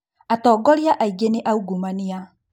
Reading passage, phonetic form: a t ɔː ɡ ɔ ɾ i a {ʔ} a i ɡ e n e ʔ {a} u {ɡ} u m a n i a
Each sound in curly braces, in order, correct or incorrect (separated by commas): correct, correct, correct